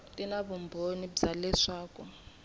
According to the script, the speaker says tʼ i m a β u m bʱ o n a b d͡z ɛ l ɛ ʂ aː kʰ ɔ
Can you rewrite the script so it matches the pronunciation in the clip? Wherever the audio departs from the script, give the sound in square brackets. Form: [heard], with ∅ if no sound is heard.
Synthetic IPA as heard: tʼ i [n] a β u m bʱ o n [i] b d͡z [a] l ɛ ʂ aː [k] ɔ